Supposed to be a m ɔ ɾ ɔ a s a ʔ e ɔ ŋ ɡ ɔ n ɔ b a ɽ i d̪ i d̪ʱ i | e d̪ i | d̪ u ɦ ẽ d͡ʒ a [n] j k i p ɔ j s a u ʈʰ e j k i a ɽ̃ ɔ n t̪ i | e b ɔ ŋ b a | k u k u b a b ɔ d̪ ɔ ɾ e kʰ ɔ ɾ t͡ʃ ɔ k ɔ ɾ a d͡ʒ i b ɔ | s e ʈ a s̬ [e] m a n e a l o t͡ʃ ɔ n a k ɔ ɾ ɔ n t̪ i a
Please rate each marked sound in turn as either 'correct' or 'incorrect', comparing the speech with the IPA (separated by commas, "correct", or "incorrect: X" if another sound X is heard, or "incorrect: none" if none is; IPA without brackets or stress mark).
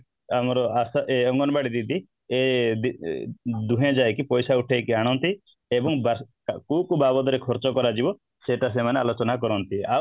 incorrect: none, correct